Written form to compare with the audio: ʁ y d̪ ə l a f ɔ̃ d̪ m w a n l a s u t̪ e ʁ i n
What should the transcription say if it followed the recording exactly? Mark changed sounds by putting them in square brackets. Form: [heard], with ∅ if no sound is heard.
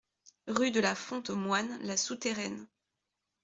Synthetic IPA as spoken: ʁ y d̪ ə l a f ɔ̃ [t̪] m w a n l a s u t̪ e ʁ [ɛ] n